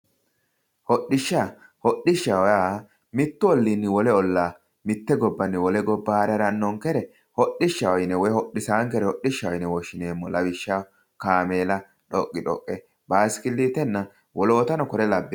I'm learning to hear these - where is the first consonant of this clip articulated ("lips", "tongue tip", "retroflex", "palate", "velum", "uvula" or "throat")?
throat